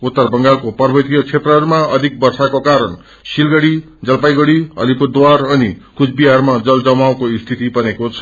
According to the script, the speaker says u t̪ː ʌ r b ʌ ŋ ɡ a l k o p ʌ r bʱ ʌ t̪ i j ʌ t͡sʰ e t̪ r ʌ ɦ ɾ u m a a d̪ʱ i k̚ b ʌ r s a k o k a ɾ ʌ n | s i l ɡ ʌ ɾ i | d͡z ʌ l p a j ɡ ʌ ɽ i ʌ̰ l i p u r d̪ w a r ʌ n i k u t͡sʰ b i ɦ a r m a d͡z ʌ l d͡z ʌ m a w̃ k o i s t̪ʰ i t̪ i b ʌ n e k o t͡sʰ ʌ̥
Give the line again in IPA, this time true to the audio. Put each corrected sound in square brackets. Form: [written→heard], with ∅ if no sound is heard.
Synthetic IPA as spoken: u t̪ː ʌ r b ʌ ŋ ɡ a l k o p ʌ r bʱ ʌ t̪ i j ʌ t͡sʰ e t̪ r ʌ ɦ ɾ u m a [a→ʌ] d̪ʱ i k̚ b ʌ r s a k o k a ɾ ʌ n | s i l ɡ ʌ [ɾ→ɽ] i | d͡z ʌ l p a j ɡ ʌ ɽ i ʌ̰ l i p u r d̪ w a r ʌ n i k u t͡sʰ b i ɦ a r m a d͡z ʌ l d͡z ʌ m a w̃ k o i s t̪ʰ i t̪ i b ʌ n e k o t͡sʰ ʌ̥